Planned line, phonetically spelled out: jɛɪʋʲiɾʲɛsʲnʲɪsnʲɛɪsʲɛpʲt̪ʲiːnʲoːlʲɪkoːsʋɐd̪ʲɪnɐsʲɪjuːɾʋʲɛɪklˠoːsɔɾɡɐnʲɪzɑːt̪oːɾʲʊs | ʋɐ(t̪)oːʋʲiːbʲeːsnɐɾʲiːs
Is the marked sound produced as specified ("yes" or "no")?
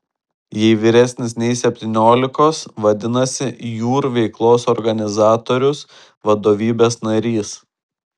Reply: no